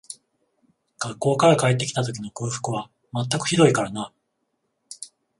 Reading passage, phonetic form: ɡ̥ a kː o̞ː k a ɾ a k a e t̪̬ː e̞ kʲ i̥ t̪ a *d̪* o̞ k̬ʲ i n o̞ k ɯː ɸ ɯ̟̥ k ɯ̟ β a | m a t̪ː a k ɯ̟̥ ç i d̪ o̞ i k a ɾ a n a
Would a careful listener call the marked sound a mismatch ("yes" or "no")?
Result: yes